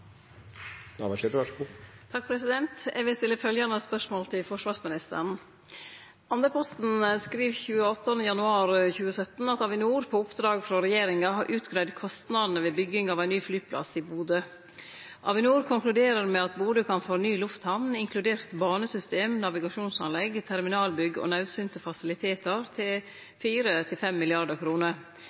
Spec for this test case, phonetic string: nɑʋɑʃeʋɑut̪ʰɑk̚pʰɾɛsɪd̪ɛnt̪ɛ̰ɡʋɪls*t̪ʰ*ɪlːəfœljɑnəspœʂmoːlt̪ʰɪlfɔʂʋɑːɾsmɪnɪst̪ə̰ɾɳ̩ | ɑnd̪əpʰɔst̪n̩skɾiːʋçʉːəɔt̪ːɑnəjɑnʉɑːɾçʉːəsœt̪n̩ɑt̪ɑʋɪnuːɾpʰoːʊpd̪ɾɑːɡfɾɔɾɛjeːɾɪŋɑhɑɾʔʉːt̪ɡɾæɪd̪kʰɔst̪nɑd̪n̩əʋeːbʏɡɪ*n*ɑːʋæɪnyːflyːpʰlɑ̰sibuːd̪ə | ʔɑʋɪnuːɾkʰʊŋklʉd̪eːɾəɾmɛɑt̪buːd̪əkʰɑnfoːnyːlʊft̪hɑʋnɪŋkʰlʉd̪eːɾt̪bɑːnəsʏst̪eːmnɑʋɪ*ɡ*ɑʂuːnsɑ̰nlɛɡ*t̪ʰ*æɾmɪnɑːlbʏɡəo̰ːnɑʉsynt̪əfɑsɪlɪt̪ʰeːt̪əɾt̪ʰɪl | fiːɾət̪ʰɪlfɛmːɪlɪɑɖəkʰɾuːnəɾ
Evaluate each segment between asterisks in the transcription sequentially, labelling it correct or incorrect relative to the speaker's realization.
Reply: incorrect, incorrect, correct, correct

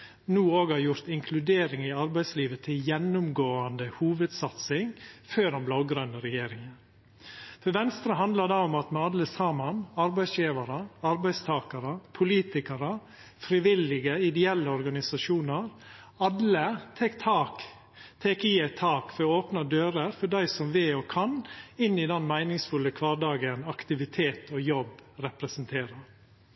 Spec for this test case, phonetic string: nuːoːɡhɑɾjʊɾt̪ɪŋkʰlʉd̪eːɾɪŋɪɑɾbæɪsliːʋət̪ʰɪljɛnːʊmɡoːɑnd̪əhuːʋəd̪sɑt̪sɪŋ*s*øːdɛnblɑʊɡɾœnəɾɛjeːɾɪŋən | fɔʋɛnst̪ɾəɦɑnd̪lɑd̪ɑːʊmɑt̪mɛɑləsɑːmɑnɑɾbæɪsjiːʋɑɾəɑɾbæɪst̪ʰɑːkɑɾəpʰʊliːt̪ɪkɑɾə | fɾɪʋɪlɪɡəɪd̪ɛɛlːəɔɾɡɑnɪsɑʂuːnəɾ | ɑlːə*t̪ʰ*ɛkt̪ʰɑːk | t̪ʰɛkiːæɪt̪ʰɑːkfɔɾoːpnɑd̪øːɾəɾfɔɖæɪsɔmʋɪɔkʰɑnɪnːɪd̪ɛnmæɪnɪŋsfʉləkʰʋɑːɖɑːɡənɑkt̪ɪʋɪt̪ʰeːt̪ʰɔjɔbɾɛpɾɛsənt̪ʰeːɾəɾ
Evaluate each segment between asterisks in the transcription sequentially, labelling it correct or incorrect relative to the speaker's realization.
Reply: incorrect, correct

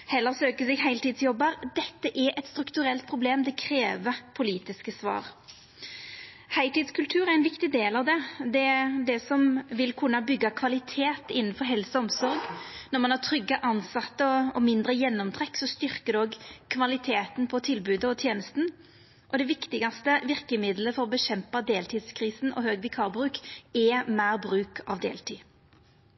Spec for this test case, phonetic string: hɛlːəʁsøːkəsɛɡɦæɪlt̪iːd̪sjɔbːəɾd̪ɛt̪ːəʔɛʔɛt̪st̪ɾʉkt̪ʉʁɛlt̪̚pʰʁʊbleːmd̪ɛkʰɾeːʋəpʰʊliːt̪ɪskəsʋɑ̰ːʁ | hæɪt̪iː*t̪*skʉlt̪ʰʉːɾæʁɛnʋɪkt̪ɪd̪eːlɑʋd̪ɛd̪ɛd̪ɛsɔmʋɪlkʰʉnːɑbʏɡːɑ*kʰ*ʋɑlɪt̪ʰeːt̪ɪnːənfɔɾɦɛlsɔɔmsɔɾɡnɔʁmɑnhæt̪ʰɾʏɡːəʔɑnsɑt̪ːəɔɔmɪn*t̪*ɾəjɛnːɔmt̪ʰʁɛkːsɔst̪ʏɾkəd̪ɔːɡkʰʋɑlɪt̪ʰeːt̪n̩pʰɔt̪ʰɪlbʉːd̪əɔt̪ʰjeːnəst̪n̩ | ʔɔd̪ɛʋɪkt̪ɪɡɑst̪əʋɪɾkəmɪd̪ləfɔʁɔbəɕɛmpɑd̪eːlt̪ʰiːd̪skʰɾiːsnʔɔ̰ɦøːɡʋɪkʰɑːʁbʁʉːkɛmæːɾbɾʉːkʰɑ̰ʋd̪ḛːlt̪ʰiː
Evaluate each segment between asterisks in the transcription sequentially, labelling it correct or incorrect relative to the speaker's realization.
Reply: incorrect, correct, incorrect

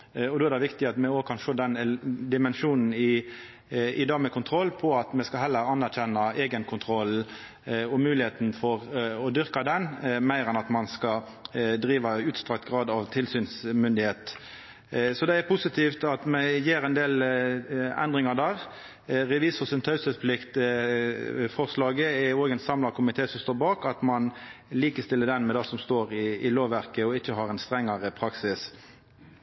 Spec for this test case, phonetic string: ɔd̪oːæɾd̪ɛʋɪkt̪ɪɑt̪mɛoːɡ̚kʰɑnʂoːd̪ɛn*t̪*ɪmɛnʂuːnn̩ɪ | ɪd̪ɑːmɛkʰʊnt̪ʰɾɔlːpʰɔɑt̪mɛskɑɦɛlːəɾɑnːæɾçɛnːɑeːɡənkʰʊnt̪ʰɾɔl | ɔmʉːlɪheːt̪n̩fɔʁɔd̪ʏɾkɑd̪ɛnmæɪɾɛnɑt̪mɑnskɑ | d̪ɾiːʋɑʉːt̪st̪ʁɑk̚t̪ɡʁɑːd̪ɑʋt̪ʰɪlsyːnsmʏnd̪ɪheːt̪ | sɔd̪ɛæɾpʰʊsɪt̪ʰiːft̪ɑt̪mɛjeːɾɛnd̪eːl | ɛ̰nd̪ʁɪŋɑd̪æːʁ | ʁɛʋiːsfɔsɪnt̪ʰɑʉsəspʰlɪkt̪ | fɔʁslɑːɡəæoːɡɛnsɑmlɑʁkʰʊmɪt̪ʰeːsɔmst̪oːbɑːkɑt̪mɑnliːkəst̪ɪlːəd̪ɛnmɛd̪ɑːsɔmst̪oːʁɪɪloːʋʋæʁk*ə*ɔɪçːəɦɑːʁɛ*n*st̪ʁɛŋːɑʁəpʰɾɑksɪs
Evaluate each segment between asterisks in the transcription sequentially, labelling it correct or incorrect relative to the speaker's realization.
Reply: incorrect, correct, correct

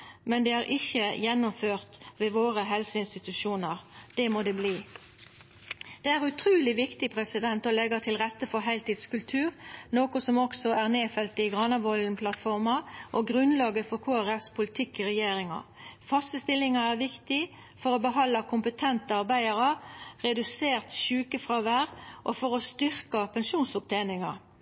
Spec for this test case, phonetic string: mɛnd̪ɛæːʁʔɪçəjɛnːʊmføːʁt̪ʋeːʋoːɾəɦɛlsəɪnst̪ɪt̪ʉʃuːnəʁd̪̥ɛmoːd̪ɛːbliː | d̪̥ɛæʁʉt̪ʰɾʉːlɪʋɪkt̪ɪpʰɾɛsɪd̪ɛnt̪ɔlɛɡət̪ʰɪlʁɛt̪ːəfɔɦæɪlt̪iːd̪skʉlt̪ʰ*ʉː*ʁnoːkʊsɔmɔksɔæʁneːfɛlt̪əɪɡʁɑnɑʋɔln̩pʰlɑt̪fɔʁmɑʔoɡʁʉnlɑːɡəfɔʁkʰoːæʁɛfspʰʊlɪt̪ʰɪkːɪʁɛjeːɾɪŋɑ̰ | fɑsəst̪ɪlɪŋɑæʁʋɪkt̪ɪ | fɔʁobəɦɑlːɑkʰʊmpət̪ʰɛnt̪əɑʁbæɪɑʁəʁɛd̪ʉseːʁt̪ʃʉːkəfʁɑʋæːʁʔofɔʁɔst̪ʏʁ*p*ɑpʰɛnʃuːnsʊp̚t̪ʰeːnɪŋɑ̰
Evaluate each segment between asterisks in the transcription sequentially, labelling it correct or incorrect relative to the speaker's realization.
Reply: correct, incorrect

